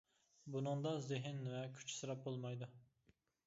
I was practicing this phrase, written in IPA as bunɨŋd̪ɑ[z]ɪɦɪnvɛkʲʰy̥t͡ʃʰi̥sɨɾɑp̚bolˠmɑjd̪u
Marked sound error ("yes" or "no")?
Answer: no